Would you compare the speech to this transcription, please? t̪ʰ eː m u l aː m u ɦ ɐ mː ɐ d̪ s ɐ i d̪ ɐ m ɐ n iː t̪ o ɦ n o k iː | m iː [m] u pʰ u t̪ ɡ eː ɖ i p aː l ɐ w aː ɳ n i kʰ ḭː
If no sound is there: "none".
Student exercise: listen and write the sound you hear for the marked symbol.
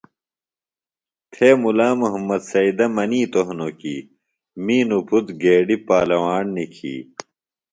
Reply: n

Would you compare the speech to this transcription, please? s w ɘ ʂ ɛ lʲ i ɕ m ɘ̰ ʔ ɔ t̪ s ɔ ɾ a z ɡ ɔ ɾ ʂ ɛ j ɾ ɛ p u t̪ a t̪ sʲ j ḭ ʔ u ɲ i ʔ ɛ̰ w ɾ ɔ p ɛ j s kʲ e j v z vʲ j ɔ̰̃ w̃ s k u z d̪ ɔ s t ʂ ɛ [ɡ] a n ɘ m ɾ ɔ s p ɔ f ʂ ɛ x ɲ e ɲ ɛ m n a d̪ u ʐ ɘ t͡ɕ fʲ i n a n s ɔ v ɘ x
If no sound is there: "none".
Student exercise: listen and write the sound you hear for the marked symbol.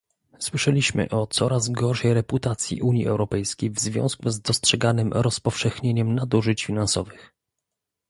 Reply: ɡ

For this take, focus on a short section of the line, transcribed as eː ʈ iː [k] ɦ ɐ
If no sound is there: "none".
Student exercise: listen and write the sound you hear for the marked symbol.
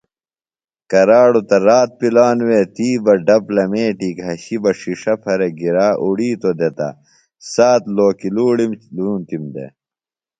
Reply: k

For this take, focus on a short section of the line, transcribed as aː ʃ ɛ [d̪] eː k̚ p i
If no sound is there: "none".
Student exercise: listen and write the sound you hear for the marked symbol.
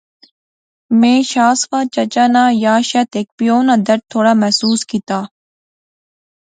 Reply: t̪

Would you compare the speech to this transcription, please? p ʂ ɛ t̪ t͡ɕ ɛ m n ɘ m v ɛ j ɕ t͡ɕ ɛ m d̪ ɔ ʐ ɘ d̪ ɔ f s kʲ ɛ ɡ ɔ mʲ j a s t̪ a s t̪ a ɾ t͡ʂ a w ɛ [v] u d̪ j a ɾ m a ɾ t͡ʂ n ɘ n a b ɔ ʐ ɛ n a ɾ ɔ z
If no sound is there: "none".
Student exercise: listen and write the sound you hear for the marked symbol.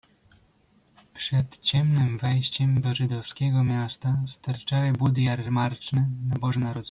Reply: b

